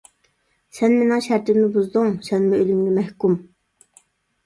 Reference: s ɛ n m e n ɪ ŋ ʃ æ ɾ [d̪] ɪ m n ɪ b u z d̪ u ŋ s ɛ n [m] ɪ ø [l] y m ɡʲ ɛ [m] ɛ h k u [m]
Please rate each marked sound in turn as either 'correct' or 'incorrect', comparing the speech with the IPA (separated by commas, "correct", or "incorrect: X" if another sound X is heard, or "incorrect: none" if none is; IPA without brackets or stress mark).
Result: incorrect: t̪, correct, correct, correct, correct